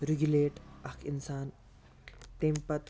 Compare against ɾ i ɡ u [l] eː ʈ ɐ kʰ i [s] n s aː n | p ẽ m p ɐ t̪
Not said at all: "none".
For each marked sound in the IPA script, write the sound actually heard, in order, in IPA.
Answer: l, none

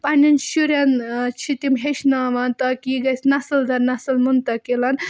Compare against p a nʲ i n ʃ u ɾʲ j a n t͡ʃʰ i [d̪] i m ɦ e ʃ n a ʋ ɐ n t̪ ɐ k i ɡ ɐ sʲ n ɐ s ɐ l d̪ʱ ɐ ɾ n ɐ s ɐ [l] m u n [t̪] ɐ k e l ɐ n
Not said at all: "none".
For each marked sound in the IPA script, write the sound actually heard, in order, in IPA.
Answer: t̪, l, t̪

